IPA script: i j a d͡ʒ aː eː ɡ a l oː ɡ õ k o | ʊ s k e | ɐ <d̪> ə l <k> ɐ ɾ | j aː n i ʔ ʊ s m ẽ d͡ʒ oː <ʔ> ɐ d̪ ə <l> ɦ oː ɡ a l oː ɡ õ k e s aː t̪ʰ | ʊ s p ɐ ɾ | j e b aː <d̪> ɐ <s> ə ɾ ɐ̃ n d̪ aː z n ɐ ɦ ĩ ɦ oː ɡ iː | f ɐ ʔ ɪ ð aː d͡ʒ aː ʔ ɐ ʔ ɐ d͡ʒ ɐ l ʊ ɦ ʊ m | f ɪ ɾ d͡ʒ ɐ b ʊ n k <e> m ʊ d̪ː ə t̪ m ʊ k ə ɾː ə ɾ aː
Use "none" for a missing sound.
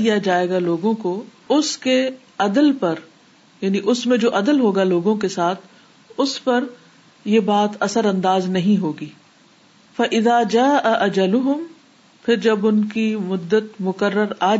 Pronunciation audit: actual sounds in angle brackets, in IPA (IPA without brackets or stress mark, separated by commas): d̪, p, ʔ, l, t̪, s, i